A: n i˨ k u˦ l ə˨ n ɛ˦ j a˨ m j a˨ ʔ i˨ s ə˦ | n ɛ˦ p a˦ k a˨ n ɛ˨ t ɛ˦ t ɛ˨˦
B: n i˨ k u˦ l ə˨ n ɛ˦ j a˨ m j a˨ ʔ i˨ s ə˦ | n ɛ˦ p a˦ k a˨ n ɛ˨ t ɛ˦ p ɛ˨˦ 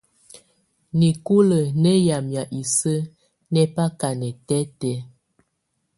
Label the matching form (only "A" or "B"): A